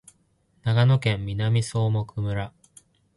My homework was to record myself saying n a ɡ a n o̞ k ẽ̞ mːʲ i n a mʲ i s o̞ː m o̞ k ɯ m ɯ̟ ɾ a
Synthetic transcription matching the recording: n a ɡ a n o̞ k ẽ̞ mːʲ i n a mʲ i s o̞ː m o̞ k ɯ m ɯ̟ ɾ a